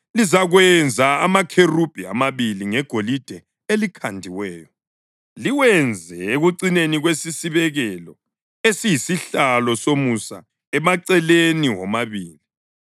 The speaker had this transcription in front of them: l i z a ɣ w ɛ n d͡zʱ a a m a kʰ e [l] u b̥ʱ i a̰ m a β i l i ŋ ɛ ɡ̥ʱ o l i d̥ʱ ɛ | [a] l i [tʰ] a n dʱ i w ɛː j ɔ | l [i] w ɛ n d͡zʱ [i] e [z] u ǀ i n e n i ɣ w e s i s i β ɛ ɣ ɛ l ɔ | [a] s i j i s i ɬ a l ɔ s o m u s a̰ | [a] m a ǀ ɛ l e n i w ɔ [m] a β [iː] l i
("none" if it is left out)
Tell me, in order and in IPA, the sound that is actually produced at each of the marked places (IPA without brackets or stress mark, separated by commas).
r, e, kʰ, i, ɛ, ɣ, e, ɛ, m, iː